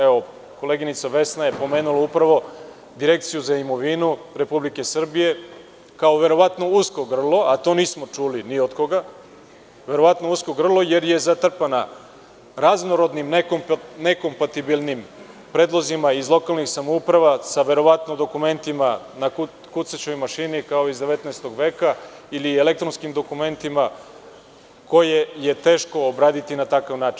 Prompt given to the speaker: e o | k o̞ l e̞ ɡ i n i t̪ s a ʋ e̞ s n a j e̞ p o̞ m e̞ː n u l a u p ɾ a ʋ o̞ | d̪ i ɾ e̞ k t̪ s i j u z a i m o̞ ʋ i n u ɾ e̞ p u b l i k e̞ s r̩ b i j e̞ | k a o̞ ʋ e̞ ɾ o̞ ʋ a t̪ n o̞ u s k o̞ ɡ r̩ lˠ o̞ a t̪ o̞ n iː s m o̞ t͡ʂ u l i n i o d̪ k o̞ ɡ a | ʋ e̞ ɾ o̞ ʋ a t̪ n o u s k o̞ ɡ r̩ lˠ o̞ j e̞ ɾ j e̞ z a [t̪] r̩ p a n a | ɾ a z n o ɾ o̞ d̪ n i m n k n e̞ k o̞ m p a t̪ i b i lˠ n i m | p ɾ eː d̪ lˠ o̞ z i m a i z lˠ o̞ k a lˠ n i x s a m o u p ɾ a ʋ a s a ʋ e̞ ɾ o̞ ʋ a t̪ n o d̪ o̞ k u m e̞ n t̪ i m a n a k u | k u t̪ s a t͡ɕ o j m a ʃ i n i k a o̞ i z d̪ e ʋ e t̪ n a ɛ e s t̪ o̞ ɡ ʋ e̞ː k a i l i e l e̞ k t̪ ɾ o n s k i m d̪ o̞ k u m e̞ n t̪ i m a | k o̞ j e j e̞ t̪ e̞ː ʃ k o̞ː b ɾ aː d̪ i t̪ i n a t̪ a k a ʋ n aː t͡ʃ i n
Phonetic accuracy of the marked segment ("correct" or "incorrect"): correct